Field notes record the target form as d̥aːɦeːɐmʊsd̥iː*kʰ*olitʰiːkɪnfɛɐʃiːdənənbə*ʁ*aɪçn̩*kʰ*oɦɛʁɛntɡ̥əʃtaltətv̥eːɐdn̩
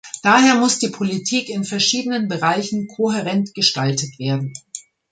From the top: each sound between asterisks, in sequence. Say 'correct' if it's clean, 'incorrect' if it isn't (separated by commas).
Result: incorrect, correct, correct